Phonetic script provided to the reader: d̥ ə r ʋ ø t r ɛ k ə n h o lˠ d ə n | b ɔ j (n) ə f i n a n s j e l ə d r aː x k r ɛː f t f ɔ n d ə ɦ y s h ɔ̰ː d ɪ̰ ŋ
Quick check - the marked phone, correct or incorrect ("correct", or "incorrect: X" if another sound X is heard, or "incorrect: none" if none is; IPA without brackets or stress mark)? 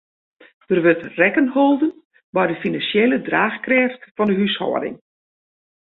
incorrect: d